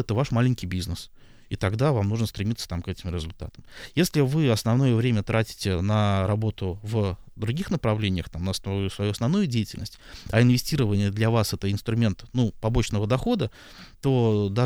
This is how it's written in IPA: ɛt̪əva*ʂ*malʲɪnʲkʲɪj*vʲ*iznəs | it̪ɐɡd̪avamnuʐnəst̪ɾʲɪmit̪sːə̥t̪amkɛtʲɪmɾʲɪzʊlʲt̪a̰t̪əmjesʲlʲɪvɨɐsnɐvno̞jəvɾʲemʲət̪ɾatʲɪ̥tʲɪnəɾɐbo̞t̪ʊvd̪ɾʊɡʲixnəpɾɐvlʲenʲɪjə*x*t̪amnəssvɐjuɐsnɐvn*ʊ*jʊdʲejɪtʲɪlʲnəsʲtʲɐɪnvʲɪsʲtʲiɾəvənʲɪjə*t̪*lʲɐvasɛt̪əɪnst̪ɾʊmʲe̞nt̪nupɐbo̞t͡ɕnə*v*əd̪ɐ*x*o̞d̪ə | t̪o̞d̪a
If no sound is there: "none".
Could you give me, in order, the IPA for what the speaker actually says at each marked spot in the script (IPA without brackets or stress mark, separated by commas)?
ʂ, bʲ, x, u, d̪, v, x